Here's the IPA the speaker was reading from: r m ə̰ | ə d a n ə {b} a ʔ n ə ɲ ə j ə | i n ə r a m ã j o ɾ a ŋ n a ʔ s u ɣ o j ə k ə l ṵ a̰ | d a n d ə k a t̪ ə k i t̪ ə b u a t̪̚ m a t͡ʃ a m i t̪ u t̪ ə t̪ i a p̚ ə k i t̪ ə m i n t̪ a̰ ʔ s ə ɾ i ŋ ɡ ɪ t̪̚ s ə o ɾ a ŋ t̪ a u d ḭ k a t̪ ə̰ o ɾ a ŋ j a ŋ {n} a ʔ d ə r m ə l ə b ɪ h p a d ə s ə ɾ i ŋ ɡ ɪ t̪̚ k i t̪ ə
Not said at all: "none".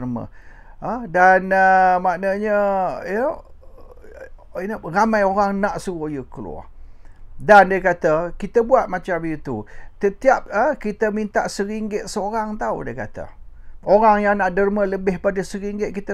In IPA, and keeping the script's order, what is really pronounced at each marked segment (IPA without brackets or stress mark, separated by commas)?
m, n